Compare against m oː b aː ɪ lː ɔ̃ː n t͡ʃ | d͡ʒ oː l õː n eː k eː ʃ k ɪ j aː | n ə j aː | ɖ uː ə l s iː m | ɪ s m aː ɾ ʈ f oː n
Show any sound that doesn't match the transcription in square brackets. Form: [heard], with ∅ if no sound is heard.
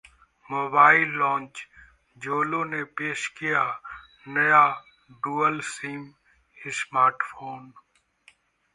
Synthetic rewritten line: m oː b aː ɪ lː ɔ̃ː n t͡ʃ | d͡ʒ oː l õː n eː [p] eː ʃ k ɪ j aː | n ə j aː | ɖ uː ə l s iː m | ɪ s m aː ɾ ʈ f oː n

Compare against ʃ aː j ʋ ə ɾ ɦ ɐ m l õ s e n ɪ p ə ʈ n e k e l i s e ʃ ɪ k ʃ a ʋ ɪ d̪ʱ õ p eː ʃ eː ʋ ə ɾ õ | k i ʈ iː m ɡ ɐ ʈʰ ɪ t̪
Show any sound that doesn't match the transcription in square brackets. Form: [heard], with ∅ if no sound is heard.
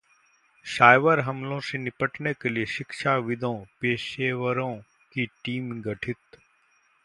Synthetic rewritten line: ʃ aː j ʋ ə ɾ ɦ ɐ m l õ s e n ɪ p ə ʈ n e k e l i [∅] e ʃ ɪ k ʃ a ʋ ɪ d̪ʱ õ p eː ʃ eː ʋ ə ɾ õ | k i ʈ iː m ɡ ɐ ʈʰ ɪ t̪

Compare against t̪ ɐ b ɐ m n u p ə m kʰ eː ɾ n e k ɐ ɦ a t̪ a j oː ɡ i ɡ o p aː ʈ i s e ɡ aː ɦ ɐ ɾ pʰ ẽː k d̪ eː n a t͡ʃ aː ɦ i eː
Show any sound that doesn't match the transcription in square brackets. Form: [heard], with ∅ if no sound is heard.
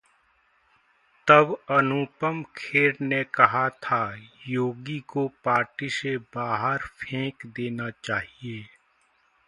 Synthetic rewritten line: t̪ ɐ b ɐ [∅] n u p ə m kʰ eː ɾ n e k ɐ ɦ a [t̪ʰ] a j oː ɡ i [k] o p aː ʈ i s e [b] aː ɦ [ə] ɾ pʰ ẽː k d̪ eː n a t͡ʃ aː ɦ i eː

